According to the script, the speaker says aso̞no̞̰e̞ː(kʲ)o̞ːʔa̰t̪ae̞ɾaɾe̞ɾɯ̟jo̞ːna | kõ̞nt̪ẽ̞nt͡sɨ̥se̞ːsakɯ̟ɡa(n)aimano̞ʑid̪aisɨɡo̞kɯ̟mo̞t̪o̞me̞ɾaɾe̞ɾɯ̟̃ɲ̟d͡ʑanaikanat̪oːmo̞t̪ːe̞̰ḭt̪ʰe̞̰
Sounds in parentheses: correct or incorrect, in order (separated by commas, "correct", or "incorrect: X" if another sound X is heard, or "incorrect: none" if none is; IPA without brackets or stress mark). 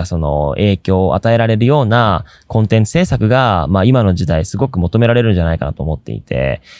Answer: correct, incorrect: m